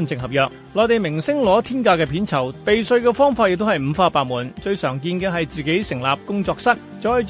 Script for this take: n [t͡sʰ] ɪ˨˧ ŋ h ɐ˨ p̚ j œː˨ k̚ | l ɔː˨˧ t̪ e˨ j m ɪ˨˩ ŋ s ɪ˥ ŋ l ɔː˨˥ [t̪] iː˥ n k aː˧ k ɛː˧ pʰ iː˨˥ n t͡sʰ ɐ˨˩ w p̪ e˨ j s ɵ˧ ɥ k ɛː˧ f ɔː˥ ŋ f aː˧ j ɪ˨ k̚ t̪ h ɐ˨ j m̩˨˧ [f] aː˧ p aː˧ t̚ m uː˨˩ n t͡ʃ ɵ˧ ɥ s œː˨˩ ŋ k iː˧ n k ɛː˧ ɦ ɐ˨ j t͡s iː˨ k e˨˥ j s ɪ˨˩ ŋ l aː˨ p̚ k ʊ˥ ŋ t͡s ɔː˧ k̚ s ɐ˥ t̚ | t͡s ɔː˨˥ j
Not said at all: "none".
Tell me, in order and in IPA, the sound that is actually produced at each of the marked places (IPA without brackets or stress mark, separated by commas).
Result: t͡s, t̪ʰ, f